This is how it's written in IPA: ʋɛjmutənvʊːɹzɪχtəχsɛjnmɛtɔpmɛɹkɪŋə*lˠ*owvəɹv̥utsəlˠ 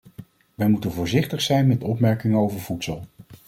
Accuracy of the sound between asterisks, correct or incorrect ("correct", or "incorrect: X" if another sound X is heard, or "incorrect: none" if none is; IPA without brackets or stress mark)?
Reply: incorrect: none